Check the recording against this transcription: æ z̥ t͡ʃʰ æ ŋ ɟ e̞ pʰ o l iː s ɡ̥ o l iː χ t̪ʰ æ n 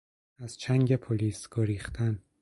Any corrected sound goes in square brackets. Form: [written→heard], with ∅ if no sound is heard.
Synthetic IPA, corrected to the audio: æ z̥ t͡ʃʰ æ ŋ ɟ e̞ pʰ o l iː s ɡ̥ o [l→ɾ] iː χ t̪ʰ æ n